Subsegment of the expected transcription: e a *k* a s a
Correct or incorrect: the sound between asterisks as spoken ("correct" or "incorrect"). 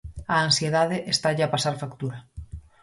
incorrect